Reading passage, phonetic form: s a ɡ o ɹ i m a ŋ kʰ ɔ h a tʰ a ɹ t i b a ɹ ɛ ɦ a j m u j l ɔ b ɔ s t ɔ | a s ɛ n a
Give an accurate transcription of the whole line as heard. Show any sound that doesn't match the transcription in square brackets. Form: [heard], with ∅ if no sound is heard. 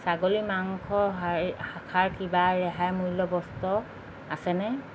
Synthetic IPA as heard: s a ɡ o [l] i m a ŋ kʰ ɔ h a [kʰ] a ɹ [k] i b a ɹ ɛ ɦ a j m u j l ɔ b ɔ s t ɔ | a s ɛ n [ɛ]